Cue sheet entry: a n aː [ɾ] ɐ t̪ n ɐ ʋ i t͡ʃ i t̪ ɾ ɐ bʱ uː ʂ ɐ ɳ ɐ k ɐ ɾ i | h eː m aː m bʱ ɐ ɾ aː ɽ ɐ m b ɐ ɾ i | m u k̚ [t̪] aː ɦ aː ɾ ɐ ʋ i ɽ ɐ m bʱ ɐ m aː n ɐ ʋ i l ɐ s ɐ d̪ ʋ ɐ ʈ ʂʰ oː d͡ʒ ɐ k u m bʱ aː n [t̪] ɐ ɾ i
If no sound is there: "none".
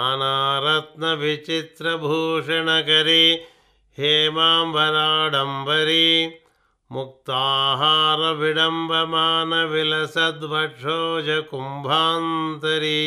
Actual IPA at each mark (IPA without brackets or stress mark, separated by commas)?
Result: ɾ, t̪, t̪